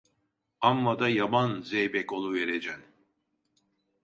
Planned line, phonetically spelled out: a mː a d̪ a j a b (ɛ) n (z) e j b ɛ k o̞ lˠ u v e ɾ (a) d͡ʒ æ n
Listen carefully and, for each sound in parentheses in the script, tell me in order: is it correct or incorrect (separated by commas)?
incorrect, correct, incorrect